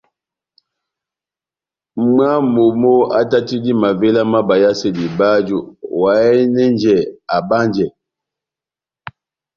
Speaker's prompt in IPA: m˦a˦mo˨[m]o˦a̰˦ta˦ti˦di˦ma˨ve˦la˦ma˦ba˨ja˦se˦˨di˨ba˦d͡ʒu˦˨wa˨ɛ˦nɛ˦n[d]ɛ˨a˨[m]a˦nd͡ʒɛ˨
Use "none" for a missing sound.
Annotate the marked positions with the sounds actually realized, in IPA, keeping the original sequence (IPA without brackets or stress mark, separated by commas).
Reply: m, d͡ʒ, b